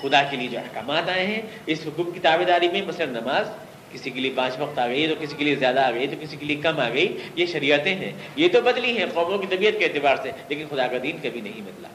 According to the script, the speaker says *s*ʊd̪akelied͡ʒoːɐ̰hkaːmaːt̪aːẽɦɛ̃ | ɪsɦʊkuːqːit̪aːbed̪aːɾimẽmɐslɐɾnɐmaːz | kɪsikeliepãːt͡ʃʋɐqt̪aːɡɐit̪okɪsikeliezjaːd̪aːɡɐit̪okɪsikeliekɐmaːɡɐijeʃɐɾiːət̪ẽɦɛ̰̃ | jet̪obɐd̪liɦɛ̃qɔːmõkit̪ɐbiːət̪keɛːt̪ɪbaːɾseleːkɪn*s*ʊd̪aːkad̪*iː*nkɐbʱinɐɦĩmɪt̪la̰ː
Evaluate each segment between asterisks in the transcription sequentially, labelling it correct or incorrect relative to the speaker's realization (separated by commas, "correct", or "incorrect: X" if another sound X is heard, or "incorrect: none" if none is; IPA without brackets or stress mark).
incorrect: x, incorrect: x, correct